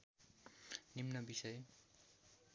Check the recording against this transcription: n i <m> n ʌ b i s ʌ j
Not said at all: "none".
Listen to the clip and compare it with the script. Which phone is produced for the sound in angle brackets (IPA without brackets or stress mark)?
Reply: m